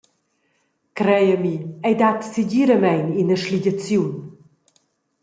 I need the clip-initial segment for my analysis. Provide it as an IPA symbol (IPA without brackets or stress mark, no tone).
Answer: k